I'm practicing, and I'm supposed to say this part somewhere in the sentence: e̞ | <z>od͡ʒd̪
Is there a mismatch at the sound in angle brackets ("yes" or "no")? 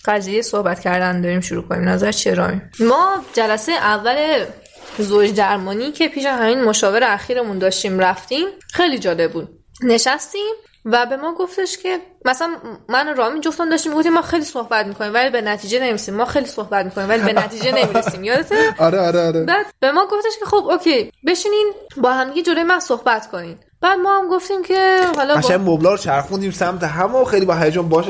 no